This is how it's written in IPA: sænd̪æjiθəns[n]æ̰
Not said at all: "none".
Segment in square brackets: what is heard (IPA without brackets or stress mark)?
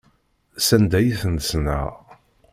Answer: n